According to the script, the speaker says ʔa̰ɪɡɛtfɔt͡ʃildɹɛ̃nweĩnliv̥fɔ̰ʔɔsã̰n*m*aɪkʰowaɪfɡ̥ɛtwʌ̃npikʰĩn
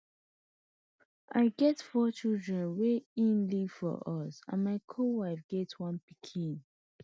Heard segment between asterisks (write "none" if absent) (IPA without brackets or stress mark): m